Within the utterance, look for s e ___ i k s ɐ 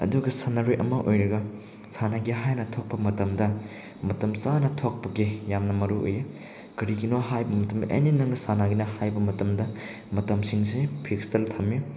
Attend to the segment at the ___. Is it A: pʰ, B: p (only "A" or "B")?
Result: A